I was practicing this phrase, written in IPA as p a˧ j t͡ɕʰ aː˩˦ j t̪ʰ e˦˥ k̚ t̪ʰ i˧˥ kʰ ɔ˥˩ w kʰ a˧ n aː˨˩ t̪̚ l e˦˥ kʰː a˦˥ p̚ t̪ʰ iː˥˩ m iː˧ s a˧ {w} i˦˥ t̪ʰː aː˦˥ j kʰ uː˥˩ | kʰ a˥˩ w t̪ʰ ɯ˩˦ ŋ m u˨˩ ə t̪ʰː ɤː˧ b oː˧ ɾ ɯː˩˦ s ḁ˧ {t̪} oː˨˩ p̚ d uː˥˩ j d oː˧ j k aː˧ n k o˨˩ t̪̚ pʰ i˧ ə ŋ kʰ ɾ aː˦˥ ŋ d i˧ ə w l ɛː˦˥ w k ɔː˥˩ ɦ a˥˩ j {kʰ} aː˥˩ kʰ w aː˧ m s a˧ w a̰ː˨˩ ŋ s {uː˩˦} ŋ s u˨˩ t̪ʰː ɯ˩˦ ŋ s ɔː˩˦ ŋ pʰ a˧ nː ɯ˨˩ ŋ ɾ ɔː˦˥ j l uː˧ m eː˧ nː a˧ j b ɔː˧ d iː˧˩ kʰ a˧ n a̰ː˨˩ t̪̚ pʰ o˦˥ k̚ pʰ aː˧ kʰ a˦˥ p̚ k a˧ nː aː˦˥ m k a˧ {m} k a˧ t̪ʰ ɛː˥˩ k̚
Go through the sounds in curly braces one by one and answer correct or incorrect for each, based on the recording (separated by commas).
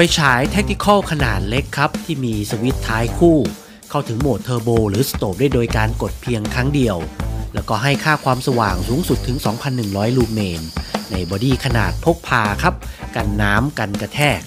correct, correct, correct, correct, incorrect